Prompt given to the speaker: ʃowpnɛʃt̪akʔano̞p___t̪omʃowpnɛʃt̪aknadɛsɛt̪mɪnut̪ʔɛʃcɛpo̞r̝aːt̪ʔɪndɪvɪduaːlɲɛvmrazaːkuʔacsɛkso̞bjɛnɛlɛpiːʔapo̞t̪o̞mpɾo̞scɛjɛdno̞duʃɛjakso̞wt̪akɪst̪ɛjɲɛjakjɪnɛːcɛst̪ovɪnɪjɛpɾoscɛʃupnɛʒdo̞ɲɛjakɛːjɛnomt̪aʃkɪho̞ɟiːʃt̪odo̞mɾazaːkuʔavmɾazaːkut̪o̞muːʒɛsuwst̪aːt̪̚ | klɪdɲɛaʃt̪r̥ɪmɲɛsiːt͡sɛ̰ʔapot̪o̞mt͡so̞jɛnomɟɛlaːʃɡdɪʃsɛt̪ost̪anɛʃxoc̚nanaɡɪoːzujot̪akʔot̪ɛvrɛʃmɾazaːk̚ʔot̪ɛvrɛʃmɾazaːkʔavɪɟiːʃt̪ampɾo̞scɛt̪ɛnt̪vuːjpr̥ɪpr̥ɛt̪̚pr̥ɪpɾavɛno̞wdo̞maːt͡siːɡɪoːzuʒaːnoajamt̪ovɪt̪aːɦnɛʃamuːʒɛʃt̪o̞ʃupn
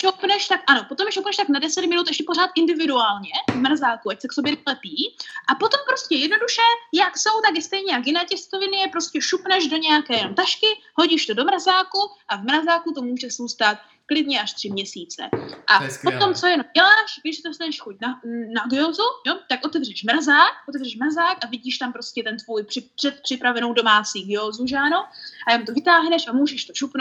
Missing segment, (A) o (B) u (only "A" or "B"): A